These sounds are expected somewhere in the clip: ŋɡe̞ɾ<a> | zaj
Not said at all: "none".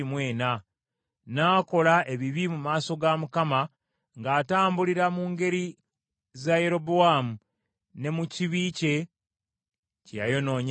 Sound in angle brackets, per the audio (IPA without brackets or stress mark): i